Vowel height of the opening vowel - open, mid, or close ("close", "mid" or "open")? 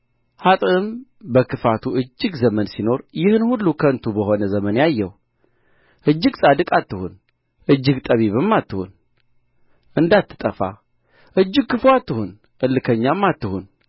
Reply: open